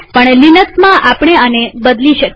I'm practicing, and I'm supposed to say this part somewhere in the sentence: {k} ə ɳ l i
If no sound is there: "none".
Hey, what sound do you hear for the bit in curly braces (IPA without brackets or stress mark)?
p